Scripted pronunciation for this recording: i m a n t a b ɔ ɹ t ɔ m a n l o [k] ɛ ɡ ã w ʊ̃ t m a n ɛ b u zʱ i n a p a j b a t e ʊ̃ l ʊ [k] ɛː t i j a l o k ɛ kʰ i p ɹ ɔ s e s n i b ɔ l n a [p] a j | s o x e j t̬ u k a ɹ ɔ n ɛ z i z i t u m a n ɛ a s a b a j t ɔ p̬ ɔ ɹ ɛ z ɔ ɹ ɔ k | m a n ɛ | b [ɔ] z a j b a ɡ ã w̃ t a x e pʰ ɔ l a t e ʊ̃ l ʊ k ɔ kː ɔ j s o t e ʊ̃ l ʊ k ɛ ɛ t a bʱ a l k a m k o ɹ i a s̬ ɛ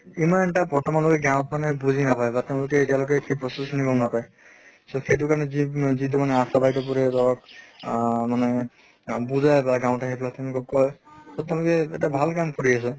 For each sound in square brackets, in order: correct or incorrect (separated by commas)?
correct, correct, correct, incorrect